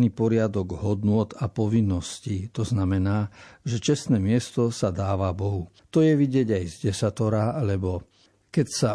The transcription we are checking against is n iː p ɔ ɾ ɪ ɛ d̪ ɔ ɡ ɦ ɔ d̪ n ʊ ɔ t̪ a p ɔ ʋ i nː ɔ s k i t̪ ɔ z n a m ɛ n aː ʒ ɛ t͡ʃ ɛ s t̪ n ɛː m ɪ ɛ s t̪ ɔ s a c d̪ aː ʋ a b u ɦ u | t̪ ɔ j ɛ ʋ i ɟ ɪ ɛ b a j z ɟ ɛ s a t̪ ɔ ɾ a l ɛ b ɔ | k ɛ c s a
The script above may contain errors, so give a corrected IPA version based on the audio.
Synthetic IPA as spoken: n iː p ɔ ɾ ɪ a d̪ ɔ ɡ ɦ ɔ d̪ n ʊ ɔ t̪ a p ɔ ʋ i nː ɔ s c i t̪ ɔ z n a m ɛ n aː ʒ ɛ t͡ʃ ɛ s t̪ n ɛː m ɪ ɛ s t̪ ɔ s a d̪ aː ʋ a b ɔ ɦ u | t̪ ɔ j ɛ ʋ i ɟ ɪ ɛ ɟ a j z ɟ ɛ s a t̪ ɔ ɾ a l ɛ b ɔ | k ɛ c s a